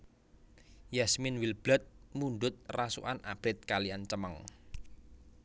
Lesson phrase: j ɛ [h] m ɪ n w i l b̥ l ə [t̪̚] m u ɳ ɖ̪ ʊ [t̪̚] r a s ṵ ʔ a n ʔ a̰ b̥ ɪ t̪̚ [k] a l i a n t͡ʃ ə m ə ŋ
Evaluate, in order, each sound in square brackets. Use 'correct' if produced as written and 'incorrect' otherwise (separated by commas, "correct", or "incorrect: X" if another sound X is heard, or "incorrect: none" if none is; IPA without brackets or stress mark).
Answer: incorrect: s, correct, correct, correct